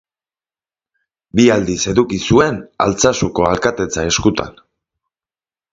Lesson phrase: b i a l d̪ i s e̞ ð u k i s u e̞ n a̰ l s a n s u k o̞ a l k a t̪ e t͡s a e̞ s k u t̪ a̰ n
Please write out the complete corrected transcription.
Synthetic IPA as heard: b i a l d̪ i s e̞ ð u k i s u e̞ n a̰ l t͡s a s u k o̞ a l k a t̪ e t͡s a e̞ s k u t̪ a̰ n

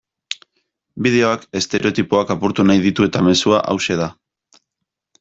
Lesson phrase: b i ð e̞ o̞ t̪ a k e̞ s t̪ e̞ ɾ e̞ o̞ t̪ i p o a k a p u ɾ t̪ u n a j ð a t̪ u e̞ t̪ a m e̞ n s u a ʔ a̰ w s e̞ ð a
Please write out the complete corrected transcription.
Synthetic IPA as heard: b i ð e̞ o̞ a k e̞ s t̪ e̞ ɾ e̞ o̞ t̪ i p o a k a p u ɾ t̪ u n a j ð i t̪ u e̞ t̪ a m e̞ s u a ʔ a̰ w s e̞ ð a

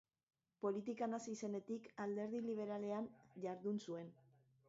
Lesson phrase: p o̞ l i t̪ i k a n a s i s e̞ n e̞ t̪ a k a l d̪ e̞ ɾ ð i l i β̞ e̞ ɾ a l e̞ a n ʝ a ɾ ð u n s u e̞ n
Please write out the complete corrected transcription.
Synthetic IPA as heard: p o̞ l i t̪ i k a n a s i s e̞ n e̞ t̪ i k a l d̪ e̞ ɾ ð i l i β̞ e̞ ɾ a l e̞ a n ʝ a ɾ ð u n s u e̞ n

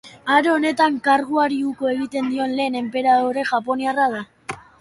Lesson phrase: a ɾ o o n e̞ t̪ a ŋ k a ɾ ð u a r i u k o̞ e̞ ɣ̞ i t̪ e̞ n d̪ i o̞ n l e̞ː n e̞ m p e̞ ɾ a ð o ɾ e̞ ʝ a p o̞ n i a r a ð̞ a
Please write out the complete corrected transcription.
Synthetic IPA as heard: a ɾ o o n e̞ t̪ a ŋ k a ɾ ɣ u a ɾ i u k o̞ e̞ ɣ̞ i t̪ e̞ n d̪ i o̞ n l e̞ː n e̞ m p e̞ ɾ a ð o ɾ e̞ ʝ a p o̞ n i a r a ð̞ a

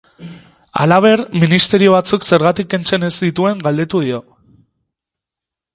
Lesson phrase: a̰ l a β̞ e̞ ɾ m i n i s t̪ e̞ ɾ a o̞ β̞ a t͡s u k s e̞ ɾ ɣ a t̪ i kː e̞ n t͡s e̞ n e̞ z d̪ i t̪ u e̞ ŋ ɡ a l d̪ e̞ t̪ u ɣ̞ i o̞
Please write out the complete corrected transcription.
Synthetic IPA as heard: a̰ l a β̞ e̞ ɾ m i n i s t̪ e̞ ɾ i o̞ β̞ a t͡s u k s e̞ ɾ ɣ a t̪ i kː e̞ n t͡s e̞ n e̞ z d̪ i t̪ u e̞ ŋ ɡ a l d̪ e̞ t̪ u ð̞ i o̞

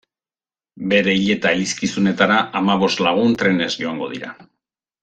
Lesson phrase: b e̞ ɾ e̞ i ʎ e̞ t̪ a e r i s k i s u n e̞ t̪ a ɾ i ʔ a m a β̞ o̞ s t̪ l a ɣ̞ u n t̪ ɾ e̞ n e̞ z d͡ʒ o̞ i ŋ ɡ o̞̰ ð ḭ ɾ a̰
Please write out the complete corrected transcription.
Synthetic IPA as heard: b e̞ ɾ e̞ i ʎ e̞ t̪ a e l i s k i s u n e̞ t̪ a ɾ a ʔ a m a β̞ o̞ s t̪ l a ɣ̞ u n t̪ ɾ e̞ n e̞ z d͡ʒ o̞ a ŋ ɡ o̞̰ ð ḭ ɾ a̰

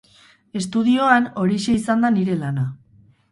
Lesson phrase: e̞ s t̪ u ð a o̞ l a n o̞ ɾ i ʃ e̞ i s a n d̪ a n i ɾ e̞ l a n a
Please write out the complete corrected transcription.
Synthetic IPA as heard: e̞ s t̪ u ð i o̞ a n o̞ ɾ i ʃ e̞ i s a n d̪ a n i ɾ e̞ l a n a

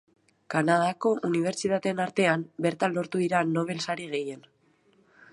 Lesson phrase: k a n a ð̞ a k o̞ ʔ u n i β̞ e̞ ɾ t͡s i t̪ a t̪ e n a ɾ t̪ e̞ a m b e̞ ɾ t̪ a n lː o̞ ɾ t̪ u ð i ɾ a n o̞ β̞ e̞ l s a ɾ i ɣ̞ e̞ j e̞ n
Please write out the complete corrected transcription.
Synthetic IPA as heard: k a n a ð̞ a k o̞ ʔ u n i β̞ e̞ ɾ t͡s i t̪ a t̪ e n a ɾ t̪ e̞ a m b e̞ ɾ t̪ a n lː o̞ ɾ t̪ u ð i ɾ a n o̞ β̞ e̞ l s a ɾ i ɣ̞ e̞ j e̞ n

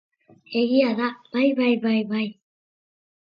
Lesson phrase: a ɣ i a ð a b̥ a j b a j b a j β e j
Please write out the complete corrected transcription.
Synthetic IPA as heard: e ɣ i a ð a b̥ a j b a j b a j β a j

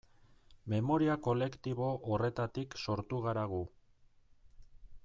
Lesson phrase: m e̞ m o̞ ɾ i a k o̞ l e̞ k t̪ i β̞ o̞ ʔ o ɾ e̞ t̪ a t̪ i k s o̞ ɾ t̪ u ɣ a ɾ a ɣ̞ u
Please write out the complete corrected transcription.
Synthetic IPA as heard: m e̞ m o̞ ɾ i a k o̞ l e̞ k t̪ i β̞ o̞ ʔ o r e̞ t̪ a t̪ i k s o̞ ɾ t̪ u ɣ a ɾ a ɣ̞ u

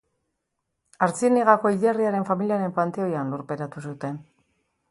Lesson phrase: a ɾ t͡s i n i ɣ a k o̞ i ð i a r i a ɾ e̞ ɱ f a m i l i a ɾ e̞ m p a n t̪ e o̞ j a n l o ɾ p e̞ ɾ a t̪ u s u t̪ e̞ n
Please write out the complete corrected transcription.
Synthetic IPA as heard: a ɾ t͡s i n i ɣ a k o̞ i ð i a r i a ɾ e̞ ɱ f a m i l i a ɾ e̞ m p a n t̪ e o̞ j a n l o ɾ p e̞ ɾ a t̪ u s u t̪ e̞ n

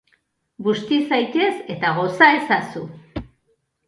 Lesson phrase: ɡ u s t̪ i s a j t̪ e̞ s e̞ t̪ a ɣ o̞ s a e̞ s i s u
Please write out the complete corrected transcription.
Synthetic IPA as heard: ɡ u s t̪ i s a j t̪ e̞ s e̞ t̪ a ɣ o̞ s a e̞ s a s u

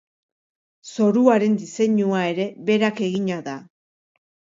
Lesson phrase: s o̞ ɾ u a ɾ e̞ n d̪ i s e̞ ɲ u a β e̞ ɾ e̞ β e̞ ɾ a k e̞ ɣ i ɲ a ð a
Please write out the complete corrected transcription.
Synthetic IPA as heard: s o̞ ɾ u a ɾ e̞ n d̪ i s e̞ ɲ u a e̞ ɾ e̞ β e̞ ɾ a k e̞ ɣ i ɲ a ð a

